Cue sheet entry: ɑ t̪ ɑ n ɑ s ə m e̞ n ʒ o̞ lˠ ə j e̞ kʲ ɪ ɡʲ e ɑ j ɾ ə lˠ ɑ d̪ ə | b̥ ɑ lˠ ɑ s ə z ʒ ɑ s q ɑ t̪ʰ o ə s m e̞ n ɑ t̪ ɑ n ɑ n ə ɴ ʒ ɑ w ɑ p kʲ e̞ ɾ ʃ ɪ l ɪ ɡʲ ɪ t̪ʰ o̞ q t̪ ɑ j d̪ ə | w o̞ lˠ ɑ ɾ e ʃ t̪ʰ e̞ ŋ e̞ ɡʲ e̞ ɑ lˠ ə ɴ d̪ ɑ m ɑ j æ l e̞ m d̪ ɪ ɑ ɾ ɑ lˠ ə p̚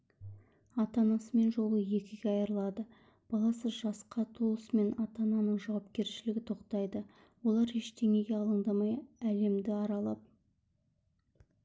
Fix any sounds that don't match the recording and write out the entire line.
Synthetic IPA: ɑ t̪ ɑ n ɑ s ə m e̞ n ʒ o̞ lˠ ə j e̞ kʲ ɪ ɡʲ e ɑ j ɾ ə lˠ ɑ d̪ ə | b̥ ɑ lˠ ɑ s ə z ʒ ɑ s q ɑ t̪ʰ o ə s m e̞ n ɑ t̪ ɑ n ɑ n ə ɴ ʒ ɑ w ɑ p kʲ e̞ ɾ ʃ ɪ l ɪ ɡʲ ɪ t̪ʰ o̞ q t̪ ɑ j d̪ ə | w o̞ lˠ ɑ ɾ e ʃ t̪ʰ e̞ ŋ e̞ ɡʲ e̞ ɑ lˠ ə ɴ d̪ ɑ m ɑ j æ l e̞ m d̪ ɪ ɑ ɾ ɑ lˠ ɑ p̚